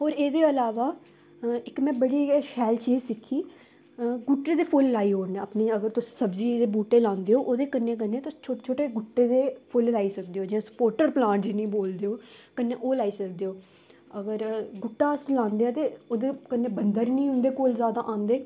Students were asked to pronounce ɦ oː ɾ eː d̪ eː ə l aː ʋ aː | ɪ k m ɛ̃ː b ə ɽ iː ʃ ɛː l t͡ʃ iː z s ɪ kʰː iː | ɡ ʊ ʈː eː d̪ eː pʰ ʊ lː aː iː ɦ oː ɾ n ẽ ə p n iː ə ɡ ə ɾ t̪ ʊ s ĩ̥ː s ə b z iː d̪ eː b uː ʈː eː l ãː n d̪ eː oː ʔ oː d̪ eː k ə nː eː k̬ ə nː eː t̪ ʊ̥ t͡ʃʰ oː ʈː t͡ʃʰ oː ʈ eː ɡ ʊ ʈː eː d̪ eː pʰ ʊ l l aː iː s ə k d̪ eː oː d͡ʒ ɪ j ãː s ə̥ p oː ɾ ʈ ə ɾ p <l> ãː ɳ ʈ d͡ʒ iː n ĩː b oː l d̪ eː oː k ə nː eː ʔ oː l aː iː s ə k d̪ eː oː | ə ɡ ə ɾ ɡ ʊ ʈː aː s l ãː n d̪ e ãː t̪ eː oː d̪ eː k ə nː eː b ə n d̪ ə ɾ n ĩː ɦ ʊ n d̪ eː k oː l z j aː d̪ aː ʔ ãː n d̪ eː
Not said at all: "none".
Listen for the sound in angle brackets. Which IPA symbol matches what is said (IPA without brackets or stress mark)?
l